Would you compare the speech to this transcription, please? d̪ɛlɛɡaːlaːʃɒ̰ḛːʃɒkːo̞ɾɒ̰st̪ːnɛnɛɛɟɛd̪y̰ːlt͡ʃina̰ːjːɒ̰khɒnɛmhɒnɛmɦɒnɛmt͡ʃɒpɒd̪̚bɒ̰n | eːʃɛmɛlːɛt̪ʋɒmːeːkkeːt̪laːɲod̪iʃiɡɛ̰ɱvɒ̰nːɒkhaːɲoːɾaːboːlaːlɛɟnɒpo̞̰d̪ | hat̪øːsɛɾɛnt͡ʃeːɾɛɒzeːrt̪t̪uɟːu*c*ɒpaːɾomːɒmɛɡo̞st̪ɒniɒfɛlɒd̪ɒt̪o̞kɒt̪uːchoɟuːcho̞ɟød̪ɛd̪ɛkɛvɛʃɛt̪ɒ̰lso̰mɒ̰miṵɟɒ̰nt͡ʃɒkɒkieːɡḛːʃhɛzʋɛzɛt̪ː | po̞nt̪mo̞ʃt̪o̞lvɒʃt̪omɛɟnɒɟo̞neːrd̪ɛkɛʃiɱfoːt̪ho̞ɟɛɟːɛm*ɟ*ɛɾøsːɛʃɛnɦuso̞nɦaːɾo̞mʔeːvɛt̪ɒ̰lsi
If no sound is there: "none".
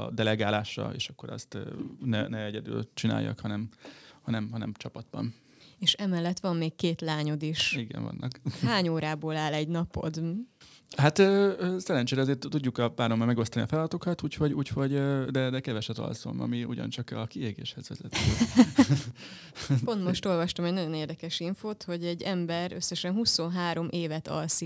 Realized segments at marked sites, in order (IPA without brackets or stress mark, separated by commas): k, b